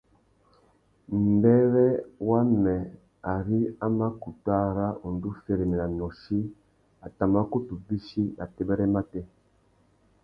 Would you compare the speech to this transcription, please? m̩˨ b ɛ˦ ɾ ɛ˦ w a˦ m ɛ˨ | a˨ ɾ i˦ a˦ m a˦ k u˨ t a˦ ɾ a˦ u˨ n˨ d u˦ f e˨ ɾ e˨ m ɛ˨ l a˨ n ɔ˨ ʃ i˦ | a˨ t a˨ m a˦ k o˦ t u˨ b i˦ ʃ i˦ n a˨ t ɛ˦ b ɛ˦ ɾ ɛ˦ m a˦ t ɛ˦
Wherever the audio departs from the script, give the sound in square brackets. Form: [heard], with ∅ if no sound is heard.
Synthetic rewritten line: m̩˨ b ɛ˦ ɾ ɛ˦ w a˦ m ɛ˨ | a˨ ɾ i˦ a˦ m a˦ k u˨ t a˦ ɾ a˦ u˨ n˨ d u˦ f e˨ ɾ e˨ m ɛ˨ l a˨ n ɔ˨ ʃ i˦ | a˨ t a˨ m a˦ k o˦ t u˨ b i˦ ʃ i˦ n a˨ t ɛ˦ b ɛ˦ ɾ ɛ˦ m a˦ t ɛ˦

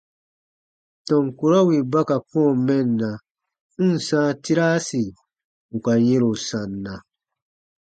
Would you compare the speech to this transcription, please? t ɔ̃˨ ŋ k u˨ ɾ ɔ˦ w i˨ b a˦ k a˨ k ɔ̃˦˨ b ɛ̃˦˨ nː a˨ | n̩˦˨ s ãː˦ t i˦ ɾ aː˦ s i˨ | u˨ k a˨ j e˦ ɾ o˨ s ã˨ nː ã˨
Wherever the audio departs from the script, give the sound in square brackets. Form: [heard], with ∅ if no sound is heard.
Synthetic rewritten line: t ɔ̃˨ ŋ k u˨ ɾ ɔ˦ w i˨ b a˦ k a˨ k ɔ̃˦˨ [m] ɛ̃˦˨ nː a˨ | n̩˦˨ s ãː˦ t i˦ ɾ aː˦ s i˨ | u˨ k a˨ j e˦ ɾ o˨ s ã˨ nː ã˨

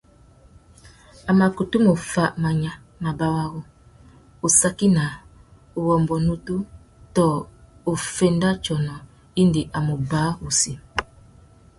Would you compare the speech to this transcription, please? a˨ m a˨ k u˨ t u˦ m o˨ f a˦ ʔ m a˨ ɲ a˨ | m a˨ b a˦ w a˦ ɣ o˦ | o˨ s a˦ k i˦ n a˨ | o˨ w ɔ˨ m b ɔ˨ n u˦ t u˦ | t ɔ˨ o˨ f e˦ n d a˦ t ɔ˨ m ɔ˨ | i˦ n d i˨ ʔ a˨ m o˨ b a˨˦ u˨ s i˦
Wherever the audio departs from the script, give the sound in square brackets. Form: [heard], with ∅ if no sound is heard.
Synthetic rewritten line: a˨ m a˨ k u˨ t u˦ m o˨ f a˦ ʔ m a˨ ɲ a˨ | m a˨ b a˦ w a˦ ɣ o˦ | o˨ s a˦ k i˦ n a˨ | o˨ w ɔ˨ m b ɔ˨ n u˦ t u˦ | t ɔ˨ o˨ f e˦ n d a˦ [t͡ʃ] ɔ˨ [n] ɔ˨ | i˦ n d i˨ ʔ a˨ m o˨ b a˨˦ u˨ s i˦

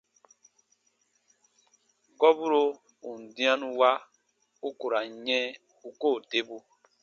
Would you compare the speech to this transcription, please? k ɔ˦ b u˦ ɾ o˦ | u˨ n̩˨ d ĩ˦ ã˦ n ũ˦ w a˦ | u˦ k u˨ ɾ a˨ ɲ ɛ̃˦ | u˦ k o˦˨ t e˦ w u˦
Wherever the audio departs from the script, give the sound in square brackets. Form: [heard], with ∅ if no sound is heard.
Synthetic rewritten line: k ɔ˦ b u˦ ɾ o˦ | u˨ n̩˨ d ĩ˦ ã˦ n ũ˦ w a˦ | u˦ k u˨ ɾ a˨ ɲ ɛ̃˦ | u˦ k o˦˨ t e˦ [b] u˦

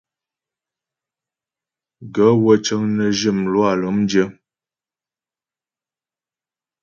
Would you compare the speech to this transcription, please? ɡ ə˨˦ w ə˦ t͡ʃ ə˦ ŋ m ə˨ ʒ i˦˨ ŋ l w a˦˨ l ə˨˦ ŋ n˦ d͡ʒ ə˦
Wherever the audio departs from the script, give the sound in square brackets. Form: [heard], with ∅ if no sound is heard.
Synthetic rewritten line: ɡ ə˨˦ w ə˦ t͡ʃ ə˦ ŋ [n] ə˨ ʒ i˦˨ [m] l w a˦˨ l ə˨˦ [m] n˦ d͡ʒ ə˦

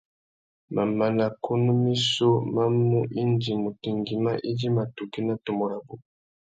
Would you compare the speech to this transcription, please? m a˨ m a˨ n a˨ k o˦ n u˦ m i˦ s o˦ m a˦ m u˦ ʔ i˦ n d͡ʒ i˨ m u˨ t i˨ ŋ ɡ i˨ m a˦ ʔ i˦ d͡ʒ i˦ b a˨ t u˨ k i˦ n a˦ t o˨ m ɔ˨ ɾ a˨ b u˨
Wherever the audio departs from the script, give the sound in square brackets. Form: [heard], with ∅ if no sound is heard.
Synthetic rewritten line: m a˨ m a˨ n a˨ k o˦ n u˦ m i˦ s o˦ m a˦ m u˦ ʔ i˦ n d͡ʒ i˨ m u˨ t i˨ ŋ ɡ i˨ m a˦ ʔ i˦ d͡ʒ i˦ [m] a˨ t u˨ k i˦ n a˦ t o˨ m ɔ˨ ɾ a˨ b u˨

